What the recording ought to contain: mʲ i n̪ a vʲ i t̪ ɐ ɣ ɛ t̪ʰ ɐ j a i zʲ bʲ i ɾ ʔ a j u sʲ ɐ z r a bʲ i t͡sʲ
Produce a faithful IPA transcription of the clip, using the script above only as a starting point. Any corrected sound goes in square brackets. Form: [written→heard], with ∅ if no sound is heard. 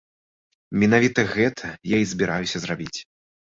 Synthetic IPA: mʲ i n̪ a vʲ i t̪ ɐ ɣ ɛ t̪ʰ ɐ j a i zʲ bʲ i ɾ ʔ a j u sʲ ɐ z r a bʲ i t͡sʲ